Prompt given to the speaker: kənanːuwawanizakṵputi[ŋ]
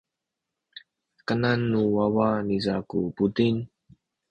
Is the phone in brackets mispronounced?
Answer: yes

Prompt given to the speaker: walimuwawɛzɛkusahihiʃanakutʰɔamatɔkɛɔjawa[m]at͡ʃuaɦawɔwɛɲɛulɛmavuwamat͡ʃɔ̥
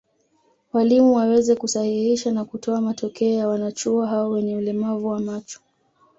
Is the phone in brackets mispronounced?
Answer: yes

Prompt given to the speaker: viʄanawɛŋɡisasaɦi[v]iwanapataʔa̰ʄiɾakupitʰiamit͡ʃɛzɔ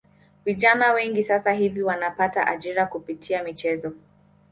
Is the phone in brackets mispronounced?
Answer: no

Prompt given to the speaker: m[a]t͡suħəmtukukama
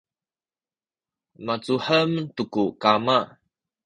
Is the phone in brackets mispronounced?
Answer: no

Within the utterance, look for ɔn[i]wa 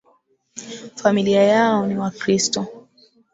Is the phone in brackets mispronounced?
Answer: no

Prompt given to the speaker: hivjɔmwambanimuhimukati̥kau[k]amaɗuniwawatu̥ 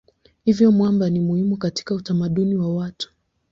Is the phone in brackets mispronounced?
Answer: yes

